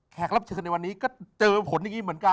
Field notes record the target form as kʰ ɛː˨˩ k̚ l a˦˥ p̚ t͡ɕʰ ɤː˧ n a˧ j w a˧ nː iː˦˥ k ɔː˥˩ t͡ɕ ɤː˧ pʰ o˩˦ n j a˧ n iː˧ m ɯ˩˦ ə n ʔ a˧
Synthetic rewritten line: kʰ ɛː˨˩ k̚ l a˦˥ p̚ t͡ɕʰ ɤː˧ n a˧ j w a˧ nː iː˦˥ k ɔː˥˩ t͡ɕ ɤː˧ pʰ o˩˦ n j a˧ ŋ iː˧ m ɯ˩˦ ə n k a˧